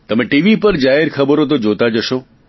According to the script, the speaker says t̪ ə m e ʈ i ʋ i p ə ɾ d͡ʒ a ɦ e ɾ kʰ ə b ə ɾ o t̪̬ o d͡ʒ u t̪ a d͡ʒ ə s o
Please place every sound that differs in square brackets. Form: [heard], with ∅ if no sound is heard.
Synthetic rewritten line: t̪ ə m e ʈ i ʋ i p ə ɾ d͡ʒ a ɦ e ɾ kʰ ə b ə ɾ o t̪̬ o d͡ʒ [o] t̪ a d͡ʒ ə [ʃ] o